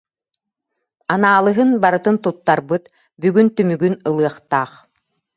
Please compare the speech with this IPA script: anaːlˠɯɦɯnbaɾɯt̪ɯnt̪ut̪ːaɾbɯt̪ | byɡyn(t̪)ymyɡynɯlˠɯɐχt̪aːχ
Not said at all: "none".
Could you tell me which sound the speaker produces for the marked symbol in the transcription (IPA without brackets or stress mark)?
t̪